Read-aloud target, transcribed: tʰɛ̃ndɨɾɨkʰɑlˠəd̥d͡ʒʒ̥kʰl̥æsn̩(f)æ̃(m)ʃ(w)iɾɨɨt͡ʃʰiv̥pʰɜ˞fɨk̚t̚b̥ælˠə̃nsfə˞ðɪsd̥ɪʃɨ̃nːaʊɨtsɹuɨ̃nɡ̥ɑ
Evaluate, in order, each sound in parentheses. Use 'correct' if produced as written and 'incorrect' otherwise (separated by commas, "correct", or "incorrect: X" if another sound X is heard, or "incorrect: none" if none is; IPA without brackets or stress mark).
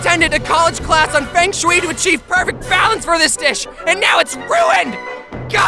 correct, incorrect: ŋ, correct